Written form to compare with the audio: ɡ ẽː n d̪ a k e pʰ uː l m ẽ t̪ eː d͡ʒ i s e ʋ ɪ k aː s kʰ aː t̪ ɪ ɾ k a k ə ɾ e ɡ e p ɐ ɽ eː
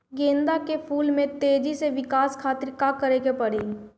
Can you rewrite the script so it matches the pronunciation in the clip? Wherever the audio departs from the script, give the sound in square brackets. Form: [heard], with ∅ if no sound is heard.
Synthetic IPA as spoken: ɡ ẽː n d̪ a k e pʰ uː l m ẽ t̪ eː d͡ʒ i s e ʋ ɪ k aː s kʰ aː t̪ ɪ ɾ k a k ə ɾ e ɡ e p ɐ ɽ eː